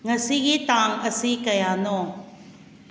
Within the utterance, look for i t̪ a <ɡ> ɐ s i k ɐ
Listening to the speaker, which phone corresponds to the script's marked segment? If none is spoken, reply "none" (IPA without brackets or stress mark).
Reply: ŋ